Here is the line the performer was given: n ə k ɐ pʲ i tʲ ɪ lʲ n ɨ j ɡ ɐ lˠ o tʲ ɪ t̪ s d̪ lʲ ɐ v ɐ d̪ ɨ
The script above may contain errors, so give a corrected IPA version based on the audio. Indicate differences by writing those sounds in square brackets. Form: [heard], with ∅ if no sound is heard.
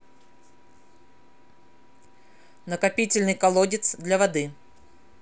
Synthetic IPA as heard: n ə k ɐ pʲ i tʲ ɪ lʲ n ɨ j [k] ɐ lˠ o [dʲ] ɪ t̪ s d̪ lʲ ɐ v ɐ d̪ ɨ